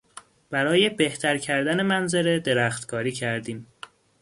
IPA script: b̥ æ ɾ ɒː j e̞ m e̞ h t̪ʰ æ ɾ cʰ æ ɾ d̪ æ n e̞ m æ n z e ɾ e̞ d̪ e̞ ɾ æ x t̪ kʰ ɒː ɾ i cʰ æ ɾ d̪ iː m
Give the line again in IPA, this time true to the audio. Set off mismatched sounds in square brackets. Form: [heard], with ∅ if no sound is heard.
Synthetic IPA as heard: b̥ æ ɾ ɒː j e̞ [b] e̞ h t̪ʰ æ ɾ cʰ æ ɾ d̪ æ n e̞ m æ n z e ɾ e̞ d̪ e̞ ɾ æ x t̪ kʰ ɒː ɾ [iː] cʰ æ ɾ d̪ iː m